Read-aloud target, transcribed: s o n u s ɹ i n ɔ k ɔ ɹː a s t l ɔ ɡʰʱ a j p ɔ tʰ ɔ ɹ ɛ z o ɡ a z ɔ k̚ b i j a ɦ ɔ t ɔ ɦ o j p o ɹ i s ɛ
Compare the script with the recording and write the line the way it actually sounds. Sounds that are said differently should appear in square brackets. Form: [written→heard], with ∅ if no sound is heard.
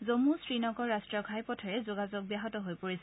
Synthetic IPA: [s→z] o [n→m] u s ɹ i n ɔ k ɔ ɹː a s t [l→ɹ] ɔ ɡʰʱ a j p ɔ tʰ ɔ ɹ ɛ z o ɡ a z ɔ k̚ b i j a ɦ ɔ t ɔ ɦ o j p o ɹ i s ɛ